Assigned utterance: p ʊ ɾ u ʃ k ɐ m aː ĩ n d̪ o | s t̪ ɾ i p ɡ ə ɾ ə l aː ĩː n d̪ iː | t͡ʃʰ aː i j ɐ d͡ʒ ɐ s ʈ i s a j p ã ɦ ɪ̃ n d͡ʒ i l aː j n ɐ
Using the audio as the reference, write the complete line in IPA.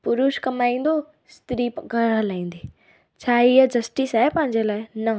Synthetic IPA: p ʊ ɾ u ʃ k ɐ m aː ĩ n d̪ o | s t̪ ɾ i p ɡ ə ɾ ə l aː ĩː n d̪ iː | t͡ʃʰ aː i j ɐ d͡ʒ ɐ s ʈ i s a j p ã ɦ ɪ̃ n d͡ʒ e l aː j n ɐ